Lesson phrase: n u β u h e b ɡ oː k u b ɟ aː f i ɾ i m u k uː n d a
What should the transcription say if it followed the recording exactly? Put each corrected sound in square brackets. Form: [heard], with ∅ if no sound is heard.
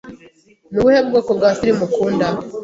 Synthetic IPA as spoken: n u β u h e b ɡ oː k [o] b [ɡ] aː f i ɾ i m u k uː n d a